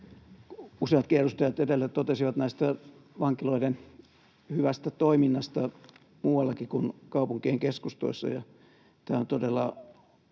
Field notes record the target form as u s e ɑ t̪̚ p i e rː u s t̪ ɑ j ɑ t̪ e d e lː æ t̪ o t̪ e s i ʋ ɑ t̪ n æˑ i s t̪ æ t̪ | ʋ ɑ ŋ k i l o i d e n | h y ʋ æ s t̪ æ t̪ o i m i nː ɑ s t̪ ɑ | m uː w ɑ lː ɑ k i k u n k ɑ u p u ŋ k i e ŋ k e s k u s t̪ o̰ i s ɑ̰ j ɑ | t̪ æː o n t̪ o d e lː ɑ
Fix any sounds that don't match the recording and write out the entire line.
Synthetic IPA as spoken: u s e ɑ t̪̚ k i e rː u s t̪ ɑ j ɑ t̪ e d e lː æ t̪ o t̪ e s i ʋ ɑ t̪ n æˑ i s t̪ æ | ʋ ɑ ŋ k i l o i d e n | h y ʋ æ s t̪ æ t̪ o i m i nː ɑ s t̪ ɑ | m uː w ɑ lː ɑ k i k u n k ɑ u p u ŋ k i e ŋ k e s k u s t̪ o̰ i sː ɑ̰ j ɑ | t̪ æː o n t̪ o d e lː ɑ

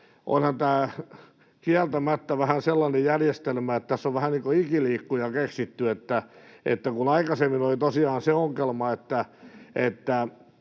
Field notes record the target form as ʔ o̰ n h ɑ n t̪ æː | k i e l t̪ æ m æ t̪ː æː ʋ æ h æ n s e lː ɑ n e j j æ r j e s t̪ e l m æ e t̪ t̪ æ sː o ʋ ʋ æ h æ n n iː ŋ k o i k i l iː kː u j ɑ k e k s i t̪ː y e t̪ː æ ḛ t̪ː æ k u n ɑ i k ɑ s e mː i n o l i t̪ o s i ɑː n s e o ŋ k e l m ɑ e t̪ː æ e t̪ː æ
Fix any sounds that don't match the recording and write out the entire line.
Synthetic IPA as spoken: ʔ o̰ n h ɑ n t̪ æː | k i æ l t̪ æ m æ t̪ː æ ʋ æ h æ n s e lː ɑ n e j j æ r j e s t̪ e l m æ e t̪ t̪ æ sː o ʋ ʋ æ h æ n n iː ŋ k o i k i l iː kː u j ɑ k e k s i t̪ː y e t̪ː æ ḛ t̪ː æ k u n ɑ i k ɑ s e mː i n o l i t̪ o s i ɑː n s e o ŋ k e l m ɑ e t̪ː æ e t̪ː æ

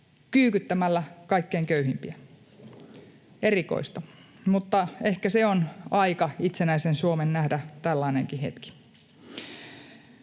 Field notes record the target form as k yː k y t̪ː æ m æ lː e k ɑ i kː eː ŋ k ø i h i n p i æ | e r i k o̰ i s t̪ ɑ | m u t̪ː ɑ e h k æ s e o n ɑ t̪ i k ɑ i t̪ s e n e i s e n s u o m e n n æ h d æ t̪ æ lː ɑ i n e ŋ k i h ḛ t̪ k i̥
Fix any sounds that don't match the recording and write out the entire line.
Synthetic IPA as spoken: k yː k y t̪ː æ m æ lː æ k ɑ i kː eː ŋ k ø y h i m p i æ | e r i k o̰ i s t̪ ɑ | m u t̪ː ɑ e h k æ s e o n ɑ i k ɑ i t̪ s e n æ i s e n s u o m e n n æ h d æ t̪ æ lː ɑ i n e ŋ k i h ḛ t̪ k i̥

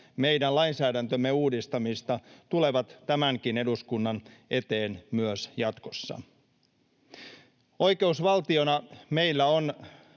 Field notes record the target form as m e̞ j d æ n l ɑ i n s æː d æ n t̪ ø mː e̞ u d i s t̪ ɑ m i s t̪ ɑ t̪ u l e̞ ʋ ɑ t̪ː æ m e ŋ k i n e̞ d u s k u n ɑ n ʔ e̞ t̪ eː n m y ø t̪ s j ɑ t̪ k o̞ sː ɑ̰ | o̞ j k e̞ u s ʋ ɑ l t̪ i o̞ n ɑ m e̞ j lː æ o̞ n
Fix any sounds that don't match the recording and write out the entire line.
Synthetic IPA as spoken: m e̞ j d æ n l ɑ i n s æː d æ n t̪ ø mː e̞ uː d i s t̪ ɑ m i s t̪ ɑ t̪ u l e̞ ʋ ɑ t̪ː æ m æ ŋ k i n e̞ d u s k u nː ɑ n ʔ e̞ t̪ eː n m y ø s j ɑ t̪ k o̞ sː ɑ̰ | o̞ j k e̞ u s ʋ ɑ l t̪ i o̞ n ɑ m e̞ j lː æ o̞ n

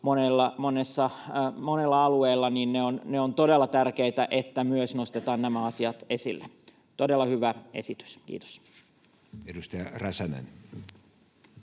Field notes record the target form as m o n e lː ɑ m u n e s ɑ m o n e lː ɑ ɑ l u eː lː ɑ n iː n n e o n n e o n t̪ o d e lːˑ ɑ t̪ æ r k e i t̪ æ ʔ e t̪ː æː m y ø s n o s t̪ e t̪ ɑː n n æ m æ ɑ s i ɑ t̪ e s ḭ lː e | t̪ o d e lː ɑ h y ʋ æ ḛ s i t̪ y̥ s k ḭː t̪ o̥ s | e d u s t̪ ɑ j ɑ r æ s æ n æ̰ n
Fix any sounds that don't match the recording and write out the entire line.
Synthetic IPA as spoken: m o n e lː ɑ m o n e sː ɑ m o n e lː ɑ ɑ l u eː lː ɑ n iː n n e o n n e o n t̪ o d e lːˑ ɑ t̪ æ r k e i t̪ æ ʔ e t̪ː æ m y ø s n o s t̪ e t̪ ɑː n n æ m æ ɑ s i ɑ t̪ e s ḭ lː e | t̪ o d e lː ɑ h y ʋ æ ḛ s i t̪ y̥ s k ḭː t̪ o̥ s | e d u s t̪ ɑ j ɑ r æ s æ n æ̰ n

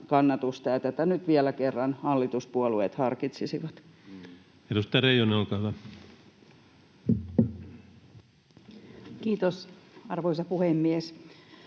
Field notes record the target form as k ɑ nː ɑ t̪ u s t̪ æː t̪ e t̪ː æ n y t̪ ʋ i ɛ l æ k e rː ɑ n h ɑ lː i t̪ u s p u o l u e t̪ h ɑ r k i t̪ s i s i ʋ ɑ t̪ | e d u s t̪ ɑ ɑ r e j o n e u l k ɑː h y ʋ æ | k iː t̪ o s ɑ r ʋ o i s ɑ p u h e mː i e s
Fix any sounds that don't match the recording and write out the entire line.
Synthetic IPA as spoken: k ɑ nː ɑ t̪ u s t̪ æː t̪ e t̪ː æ n y t̪ ʋ i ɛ l æ k e rː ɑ n h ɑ lː i t̪ u s p u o l u e t̪ h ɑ r k i t̪ s i s i ʋ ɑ t̪ | e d u s t̪ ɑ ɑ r e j o n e o l k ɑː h y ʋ æ | k iː t̪ o s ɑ r ʋ o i s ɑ p u h e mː i e s

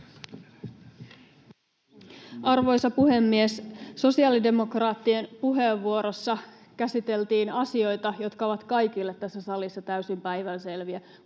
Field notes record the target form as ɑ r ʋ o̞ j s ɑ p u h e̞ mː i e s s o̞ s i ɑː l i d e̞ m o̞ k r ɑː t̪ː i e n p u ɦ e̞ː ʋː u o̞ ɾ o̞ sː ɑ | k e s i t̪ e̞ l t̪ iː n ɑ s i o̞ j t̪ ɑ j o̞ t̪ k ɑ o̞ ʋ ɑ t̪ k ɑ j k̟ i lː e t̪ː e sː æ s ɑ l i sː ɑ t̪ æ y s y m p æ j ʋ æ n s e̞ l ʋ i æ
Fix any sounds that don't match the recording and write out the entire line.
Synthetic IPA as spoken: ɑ r ʋ o̞ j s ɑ p u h e̞ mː i e s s o̞ s i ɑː l i d e̞ m o̞ k r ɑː t̪ː i e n p u ɦ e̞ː ʋː u o̞ ɾ o̞ sː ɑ | k æ s i t̪ e̞ l t̪ iː n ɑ s i o̞ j t̪ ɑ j o̞ t̪ k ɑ o̞ ʋ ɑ t̪ k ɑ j k̟ i lː e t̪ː æ sː æ s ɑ l i sː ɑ t̪ æ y s i m p æ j ʋ æ n s e̞ l ʋ i æ

